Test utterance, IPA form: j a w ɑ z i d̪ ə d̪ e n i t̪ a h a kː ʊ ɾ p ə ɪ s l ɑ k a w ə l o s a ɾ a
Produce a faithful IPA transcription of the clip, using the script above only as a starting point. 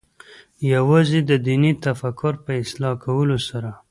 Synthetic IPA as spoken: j a w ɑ z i d̪ ə d̪ i n i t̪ a f a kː ʊ ɾ p ə ɪ s l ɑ k a w ə l o s a ɾ a

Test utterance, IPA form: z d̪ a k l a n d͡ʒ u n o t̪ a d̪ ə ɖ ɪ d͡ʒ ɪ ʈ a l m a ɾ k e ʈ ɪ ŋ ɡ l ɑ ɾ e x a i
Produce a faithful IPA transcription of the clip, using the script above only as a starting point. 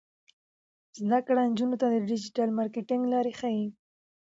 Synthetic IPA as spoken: z d̪ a k ɽ a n d͡ʒ u n o t̪ a d̪ ə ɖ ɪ d͡ʒ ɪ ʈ a l m ɑ ɾ k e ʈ ɪ ŋ ɡ l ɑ ɾ e x a i

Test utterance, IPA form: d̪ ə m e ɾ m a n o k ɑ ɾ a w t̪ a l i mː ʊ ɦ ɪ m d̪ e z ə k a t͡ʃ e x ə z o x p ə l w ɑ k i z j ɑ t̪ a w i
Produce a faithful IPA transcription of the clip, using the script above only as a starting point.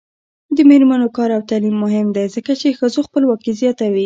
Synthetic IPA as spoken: d̪ ə m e ɾ m a n o k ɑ ɾ a w t̪ a l i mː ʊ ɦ ɪ m d̪ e z ə k a t͡ʃ e x ə z o x p ə l w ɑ k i z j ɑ t̪ a w i

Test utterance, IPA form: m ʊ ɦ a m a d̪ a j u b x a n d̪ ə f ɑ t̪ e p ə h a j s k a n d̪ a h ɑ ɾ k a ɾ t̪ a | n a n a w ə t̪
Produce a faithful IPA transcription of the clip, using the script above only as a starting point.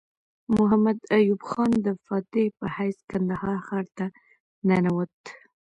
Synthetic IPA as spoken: m ʊ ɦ a m a d̪ a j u b x ɑ n d̪ ə f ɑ t̪ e p ə h a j s k a n d̪ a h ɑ ɾ x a ɾ t̪ a | n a n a w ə t̪

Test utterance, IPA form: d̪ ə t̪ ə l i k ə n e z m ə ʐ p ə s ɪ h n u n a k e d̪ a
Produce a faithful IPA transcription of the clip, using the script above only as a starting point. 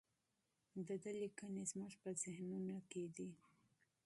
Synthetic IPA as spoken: d̪ ə d̪ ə l i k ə n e z m ə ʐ p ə z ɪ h n u n a k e d̪ i

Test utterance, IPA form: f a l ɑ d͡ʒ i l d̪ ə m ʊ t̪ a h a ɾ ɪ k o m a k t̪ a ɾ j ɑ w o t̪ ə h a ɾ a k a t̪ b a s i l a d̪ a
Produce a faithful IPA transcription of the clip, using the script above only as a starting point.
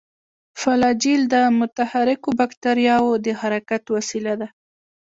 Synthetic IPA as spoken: f a l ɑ d͡ʒ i l d̪ ə m ʊ t̪ a h a ɾ ɪ k o b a k t̪ a ɾ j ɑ w o d̪ ə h a ɾ a k a t̪ w a s i l a d̪ a

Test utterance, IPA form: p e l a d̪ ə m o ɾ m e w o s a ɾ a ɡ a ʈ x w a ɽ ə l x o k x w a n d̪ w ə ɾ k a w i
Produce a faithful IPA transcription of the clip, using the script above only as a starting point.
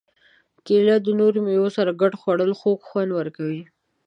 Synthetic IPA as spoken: k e l a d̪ ə n o ɾ m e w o s a ɾ a ɡ a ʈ x w a ɽ ə l x o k x w a n d̪ w ə ɾ k a w i

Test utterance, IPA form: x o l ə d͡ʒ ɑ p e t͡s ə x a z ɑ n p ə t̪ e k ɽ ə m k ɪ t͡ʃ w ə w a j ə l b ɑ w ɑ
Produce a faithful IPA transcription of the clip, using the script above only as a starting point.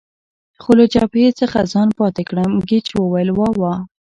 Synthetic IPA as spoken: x o l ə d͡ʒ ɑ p e t͡s ə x a z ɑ n p ɑ t̪ e k ɽ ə m ɡ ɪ t͡ʃ w ə w a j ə l w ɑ w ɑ

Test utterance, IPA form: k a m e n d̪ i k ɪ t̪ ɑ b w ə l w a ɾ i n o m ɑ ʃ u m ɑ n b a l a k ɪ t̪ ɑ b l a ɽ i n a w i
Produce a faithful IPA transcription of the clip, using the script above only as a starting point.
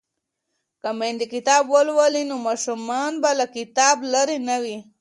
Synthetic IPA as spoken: k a m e n d̪ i k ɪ t̪ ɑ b w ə l w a l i n o m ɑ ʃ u m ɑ n b a l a k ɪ t̪ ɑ b l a ɾ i n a w i

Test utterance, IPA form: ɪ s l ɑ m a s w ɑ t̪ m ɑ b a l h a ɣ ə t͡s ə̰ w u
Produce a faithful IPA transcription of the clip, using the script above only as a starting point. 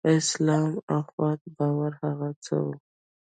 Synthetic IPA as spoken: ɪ s l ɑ m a x w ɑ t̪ b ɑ w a ɾ h a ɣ a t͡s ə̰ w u

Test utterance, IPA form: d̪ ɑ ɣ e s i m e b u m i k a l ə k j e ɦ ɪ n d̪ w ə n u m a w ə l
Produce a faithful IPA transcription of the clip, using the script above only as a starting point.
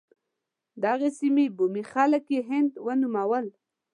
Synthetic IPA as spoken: d̪ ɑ ɣ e s i m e b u m i x a l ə k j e ɦ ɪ n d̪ w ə n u m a w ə l

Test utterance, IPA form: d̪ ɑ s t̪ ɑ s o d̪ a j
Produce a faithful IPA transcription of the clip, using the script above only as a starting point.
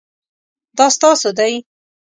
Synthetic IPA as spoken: d̪ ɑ s t̪ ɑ s o d̪ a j

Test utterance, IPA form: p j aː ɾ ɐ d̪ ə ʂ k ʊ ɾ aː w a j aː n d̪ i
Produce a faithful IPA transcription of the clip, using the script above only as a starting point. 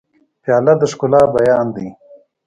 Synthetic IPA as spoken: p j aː l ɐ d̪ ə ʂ k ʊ l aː b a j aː n d̪ i

